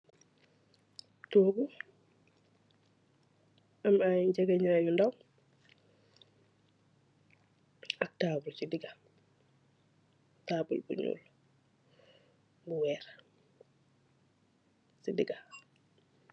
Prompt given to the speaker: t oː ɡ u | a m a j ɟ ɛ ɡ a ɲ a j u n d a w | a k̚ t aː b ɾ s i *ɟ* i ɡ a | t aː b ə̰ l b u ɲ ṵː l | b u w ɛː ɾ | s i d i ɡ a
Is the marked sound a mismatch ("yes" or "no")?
yes